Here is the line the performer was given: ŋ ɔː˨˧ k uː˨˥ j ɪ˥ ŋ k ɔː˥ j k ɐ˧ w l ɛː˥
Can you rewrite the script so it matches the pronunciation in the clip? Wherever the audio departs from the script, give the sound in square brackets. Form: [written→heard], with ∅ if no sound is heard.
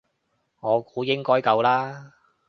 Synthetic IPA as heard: ŋ ɔː˨˧ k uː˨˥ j ɪ˥ ŋ k ɔː˥ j k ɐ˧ w l [ɛː˥→aː˥]